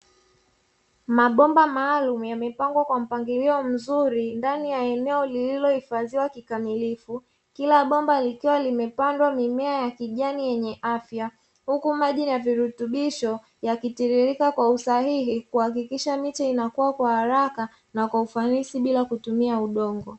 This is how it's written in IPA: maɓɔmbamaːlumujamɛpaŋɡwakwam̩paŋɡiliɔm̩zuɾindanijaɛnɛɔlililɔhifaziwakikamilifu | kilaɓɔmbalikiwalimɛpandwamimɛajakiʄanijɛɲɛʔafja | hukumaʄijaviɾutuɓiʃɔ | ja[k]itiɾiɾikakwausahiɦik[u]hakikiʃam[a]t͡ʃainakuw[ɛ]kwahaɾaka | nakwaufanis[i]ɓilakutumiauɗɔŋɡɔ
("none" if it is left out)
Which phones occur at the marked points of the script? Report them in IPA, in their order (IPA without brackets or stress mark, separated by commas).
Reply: k, u, i, a, i